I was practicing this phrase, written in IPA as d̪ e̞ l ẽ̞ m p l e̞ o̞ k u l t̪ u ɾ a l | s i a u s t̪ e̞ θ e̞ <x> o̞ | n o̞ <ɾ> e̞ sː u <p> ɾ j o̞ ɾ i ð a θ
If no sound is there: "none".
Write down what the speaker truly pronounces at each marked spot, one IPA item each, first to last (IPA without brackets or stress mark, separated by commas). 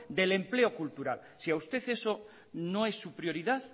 s, none, p